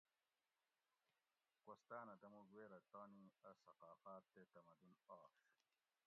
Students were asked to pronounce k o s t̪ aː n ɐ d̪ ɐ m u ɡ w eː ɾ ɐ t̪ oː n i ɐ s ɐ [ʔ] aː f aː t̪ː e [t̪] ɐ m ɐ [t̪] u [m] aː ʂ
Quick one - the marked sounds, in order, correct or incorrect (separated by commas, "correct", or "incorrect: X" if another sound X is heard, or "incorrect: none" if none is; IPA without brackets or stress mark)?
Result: incorrect: q, correct, incorrect: d̪, incorrect: n